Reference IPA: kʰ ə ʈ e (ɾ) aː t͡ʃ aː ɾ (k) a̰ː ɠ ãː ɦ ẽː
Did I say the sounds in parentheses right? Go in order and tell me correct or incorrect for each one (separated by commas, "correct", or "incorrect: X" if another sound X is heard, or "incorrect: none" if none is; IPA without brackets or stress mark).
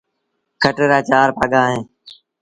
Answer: correct, incorrect: p